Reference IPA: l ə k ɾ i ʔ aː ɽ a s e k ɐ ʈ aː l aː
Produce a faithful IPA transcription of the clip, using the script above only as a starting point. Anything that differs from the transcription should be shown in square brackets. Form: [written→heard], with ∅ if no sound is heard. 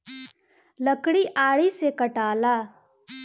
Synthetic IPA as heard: l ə k [ɾ→ɽ] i ʔ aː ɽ [a→i] s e k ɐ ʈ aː l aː